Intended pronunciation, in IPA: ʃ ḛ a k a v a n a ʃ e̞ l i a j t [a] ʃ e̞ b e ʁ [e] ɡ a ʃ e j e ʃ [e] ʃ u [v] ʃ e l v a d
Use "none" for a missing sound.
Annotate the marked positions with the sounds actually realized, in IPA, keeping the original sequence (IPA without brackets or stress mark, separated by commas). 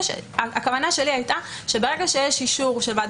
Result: a, e, i, ʁ